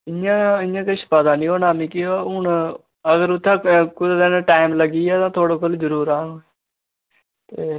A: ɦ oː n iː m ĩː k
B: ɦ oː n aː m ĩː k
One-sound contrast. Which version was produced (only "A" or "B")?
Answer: B